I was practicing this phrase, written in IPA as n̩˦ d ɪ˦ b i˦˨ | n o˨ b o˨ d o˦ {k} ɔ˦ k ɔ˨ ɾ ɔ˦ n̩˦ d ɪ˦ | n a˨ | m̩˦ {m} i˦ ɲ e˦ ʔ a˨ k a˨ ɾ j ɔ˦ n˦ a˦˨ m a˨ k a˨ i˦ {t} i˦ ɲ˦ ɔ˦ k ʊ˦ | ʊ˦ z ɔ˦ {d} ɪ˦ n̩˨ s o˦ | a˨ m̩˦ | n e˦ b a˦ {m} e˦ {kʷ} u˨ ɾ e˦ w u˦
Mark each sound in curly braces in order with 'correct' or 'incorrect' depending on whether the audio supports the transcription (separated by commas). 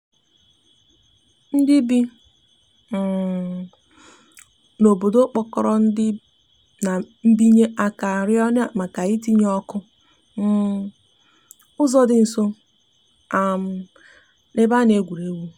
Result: incorrect, incorrect, correct, correct, incorrect, incorrect